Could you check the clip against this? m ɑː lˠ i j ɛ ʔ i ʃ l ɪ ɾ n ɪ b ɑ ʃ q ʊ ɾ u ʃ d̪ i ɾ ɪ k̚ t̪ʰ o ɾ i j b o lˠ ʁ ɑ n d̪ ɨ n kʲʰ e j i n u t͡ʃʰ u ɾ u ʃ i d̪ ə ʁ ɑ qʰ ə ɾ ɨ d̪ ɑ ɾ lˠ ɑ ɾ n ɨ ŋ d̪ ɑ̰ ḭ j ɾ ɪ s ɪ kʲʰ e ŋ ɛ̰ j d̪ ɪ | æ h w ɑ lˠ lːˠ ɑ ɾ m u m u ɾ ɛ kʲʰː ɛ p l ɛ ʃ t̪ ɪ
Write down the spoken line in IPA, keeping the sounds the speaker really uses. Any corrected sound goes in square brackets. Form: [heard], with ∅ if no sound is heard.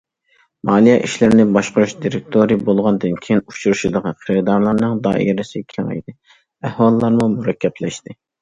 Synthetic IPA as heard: m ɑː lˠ i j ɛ ʔ i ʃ l ɪ ɾ n ɪ b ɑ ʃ q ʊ ɾ u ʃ d̪ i ɾ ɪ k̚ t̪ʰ o ɾ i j b o lˠ ʁ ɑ n d̪ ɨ n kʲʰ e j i n u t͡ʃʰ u ɾ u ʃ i d̪ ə ʁ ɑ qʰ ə ɾ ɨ d̪ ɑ ɾ lˠ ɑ ɾ n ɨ ŋ d̪ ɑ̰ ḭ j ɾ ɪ s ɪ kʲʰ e ŋ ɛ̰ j d̪ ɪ | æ h w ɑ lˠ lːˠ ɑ ɾ m u m u ɾ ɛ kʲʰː ɛ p l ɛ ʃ t̪ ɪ